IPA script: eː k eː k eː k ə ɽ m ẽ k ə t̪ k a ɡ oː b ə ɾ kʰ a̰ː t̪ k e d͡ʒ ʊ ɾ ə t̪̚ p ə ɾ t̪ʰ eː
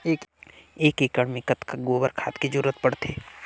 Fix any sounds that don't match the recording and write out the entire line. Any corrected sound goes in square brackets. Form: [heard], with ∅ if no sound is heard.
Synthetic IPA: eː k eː k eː k ə ɽ m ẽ k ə t̪ k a ɡ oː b ə ɾ kʰ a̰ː t̪ k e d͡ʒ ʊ ɾ ə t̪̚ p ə [ɽ] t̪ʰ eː